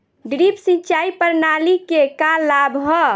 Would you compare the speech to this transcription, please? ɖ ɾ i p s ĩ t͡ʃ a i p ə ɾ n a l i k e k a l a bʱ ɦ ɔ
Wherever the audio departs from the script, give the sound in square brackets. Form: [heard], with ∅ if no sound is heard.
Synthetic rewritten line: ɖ ɾ i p s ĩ t͡ʃ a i p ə ɾ n a l i k e k a l a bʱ ɦ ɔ